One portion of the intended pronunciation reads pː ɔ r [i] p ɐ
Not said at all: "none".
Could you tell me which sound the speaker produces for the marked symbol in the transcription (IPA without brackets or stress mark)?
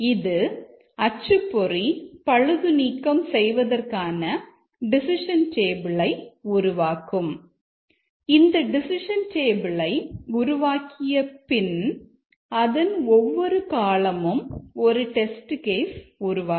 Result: i